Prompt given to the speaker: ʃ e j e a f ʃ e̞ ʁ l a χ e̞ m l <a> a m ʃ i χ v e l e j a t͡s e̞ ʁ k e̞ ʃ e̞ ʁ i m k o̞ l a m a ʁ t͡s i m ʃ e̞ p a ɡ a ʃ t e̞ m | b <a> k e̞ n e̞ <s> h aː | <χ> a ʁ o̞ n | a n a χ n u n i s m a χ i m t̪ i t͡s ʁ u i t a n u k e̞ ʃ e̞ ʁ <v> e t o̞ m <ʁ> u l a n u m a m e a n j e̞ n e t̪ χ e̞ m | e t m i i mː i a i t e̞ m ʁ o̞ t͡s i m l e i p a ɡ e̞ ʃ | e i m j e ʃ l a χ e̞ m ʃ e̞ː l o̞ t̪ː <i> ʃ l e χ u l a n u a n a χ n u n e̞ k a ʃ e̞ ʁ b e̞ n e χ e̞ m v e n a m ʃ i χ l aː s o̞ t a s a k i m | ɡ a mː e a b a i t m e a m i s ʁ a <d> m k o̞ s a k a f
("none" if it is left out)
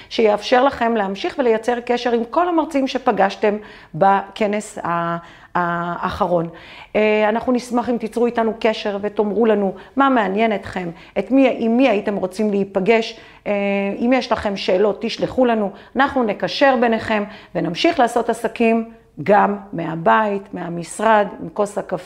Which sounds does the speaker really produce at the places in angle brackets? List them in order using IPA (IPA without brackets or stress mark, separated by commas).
e, a, s, χ, v, ʁ, i, d